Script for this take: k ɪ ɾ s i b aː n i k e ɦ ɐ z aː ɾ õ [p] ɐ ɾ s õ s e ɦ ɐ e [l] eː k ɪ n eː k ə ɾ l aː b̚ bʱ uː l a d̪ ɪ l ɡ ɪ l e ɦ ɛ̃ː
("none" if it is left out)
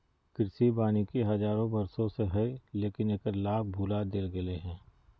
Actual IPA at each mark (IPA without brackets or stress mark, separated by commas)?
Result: b, l